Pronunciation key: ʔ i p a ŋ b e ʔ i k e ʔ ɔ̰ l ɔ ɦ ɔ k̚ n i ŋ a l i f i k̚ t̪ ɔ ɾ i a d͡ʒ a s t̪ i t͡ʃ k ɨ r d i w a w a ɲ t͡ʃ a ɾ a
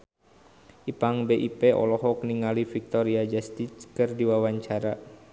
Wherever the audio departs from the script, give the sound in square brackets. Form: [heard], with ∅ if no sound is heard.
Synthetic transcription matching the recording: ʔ i p a ŋ b e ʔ i [p] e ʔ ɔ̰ l ɔ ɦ ɔ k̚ n i ŋ a l i f i k̚ t̪ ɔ ɾ i a d͡ʒ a s t̪ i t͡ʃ k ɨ r d i w a w a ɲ t͡ʃ a ɾ a